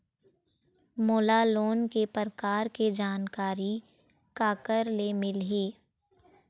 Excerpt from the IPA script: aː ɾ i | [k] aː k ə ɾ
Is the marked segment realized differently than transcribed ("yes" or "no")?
no